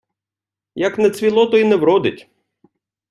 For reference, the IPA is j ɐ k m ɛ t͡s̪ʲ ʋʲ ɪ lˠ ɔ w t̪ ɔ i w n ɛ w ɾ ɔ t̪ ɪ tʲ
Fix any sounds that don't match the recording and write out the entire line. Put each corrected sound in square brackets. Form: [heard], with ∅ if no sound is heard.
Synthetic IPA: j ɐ k [n] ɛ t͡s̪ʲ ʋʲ [i] lˠ ɔ [∅] t̪ ɔ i [∅] n ɛ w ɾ ɔ [d̪] ɪ tʲ